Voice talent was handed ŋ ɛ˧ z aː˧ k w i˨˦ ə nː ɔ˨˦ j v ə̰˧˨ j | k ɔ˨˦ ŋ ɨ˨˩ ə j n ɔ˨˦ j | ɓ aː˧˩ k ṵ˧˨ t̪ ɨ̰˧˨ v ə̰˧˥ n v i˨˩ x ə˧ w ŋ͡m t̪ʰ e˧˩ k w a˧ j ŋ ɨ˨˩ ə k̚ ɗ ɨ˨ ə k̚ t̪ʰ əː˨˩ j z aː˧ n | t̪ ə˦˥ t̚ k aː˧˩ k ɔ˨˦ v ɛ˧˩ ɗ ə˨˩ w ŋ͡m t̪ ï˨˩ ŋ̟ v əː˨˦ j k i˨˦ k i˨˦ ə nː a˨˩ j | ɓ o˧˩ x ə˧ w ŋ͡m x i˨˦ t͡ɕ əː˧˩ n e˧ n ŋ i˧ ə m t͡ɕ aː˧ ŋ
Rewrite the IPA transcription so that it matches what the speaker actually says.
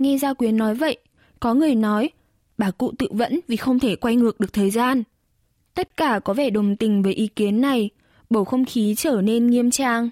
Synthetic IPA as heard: ŋ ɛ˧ z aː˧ k w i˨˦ ə nː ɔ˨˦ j v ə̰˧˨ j | k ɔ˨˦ ŋ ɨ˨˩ ə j n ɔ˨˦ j | ɓ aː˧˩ k ṵ˧˨ t̪ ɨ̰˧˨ v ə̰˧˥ n v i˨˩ x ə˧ w ŋ͡m t̪ʰ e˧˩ k w a˧ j ŋ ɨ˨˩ ə k̚ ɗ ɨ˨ ə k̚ t̪ʰ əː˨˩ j z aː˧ n | t̪ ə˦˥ t̚ k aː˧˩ k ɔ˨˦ v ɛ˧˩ ɗ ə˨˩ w ŋ͡m t̪ ï˨˩ ŋ̟ v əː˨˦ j ʔ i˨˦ k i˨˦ ə nː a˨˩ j | ɓ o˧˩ x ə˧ w ŋ͡m x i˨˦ t͡ɕ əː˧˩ n e˧ n ŋ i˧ ə m t͡ɕ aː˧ ŋ